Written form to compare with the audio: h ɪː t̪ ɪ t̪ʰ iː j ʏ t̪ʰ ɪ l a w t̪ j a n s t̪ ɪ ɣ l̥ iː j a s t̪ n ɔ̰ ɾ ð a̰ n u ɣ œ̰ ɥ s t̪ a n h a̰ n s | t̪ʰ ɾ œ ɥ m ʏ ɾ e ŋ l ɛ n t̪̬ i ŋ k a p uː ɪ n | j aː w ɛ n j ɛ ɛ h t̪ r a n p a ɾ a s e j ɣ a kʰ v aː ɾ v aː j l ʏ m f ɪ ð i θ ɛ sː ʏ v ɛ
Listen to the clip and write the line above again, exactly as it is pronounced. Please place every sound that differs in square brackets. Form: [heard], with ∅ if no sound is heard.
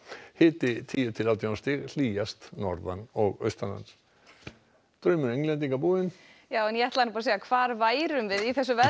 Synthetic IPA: h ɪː t̪ ɪ t̪ʰ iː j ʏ t̪ʰ ɪ l a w t̪ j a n s t̪ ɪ ɣ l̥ iː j a s t̪ n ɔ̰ ɾ ð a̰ n [ɔ] ɣ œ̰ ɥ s t̪ a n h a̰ n s | [t̪] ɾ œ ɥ m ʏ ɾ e ŋ l ɛ n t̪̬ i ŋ k a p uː ɪ n | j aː w ɛ n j ɛ ɛ h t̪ [l] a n p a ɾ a s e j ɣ a kʰ v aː ɾ v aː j [ɾ] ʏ m [v] ɪ ð i θ ɛ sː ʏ v ɛ